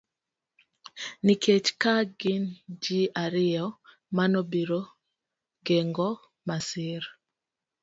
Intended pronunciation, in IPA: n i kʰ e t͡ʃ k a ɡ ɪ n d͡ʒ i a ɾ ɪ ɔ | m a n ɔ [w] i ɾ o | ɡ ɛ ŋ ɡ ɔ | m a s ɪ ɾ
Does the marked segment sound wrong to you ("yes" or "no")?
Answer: yes